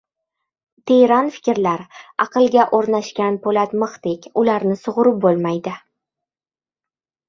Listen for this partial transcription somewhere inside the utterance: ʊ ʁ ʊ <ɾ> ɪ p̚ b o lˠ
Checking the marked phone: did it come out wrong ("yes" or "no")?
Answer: no